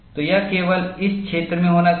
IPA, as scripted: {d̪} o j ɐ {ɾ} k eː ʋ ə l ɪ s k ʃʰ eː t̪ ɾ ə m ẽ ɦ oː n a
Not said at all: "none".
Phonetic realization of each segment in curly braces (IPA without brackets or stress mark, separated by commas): t̪, none